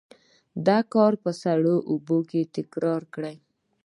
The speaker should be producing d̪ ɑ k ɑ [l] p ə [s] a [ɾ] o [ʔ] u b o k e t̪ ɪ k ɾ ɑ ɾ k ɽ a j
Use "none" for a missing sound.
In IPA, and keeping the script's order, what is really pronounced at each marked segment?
ɾ, s, ɽ, ʔ

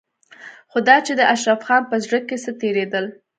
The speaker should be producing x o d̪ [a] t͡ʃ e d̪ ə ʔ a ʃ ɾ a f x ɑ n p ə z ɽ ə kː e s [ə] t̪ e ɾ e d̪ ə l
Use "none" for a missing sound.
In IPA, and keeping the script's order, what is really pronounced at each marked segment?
ɑ, ə

